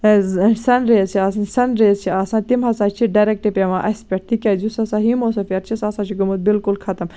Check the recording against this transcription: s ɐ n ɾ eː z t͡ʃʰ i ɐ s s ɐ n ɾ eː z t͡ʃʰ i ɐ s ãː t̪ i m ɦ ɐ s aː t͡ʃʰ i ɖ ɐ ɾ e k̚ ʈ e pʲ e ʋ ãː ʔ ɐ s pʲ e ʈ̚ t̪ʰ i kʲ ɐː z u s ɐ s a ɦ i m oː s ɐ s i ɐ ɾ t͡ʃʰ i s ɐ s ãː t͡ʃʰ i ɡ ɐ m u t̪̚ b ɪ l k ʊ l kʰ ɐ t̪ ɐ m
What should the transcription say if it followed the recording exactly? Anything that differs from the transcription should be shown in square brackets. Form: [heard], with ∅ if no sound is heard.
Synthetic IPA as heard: s ɐ n ɾ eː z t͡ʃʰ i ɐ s s ɐ n ɾ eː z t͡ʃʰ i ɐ s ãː t̪ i m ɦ ɐ s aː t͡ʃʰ i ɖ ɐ ɾ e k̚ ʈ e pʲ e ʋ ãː ʔ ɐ s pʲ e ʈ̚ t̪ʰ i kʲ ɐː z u s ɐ s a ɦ i m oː s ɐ [f] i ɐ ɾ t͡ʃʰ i s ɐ s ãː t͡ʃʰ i ɡ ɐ m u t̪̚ b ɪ l k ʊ l kʰ ɐ t̪ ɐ m